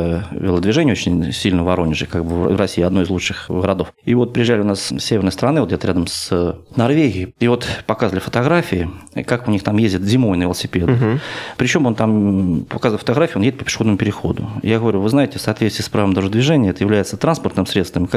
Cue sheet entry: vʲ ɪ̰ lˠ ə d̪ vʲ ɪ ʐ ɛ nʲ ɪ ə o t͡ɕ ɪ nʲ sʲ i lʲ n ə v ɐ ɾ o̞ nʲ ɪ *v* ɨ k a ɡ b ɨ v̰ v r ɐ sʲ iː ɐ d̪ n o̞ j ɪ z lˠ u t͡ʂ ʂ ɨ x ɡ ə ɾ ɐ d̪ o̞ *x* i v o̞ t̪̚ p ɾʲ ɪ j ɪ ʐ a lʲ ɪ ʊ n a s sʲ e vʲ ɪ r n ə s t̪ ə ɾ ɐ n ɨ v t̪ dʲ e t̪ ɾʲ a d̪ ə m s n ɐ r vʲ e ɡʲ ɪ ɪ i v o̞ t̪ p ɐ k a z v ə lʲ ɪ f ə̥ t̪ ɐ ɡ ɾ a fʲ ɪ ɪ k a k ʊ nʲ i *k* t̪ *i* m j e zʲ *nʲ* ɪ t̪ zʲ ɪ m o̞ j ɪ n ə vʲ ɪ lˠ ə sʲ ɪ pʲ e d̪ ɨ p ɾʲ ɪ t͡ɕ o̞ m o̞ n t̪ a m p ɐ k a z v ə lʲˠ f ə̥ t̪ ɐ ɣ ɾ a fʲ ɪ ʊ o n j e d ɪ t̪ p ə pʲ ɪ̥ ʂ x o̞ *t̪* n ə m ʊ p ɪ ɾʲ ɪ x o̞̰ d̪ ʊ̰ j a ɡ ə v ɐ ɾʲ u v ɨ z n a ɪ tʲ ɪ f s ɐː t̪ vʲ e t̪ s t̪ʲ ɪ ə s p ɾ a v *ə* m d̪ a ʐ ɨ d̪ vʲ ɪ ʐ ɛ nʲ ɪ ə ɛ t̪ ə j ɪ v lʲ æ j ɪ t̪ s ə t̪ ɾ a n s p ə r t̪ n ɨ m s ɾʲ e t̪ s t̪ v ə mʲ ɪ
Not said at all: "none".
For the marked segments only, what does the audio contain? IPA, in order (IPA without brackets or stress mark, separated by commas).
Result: ʐ, f, x, a, dʲ, d̪, ə